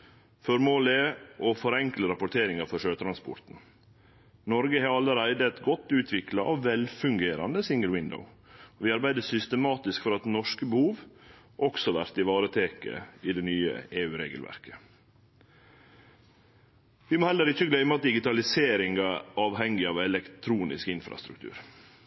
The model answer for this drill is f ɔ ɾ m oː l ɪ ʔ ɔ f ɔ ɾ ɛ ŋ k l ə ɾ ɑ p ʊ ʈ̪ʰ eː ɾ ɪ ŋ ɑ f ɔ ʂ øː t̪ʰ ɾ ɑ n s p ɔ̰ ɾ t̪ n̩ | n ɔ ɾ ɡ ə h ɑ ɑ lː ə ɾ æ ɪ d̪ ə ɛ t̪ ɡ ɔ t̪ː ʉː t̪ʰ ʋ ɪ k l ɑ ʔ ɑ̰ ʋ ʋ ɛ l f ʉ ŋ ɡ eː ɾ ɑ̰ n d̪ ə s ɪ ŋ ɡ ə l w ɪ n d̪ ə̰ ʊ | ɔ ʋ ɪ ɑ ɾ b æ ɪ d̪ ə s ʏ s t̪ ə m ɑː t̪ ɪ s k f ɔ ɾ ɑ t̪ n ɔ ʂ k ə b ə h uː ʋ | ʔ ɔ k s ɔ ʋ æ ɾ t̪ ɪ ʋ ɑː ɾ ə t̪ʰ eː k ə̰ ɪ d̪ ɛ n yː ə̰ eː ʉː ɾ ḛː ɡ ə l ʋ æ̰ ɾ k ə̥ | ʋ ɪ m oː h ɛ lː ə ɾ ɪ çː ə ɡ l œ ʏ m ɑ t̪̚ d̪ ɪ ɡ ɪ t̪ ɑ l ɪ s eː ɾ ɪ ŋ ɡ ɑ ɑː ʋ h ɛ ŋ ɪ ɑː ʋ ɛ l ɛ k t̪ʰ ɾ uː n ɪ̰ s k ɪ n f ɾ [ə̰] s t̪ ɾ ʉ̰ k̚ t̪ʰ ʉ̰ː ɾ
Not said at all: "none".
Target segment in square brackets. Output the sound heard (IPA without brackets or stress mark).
ɑ̰